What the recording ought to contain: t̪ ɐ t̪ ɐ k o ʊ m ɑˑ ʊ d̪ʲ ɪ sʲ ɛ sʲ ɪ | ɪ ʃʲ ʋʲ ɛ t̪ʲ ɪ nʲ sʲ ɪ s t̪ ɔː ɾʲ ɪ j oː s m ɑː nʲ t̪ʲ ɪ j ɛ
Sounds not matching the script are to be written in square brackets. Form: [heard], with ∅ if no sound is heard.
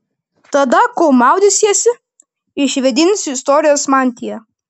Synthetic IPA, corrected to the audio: t̪ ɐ [d̪] ɐ k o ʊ m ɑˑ ʊ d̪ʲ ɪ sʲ ɛ sʲ ɪ | ɪ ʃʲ ʋʲ ɛ [d̪ʲ] ɪ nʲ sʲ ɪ s t̪ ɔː ɾʲ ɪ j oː s m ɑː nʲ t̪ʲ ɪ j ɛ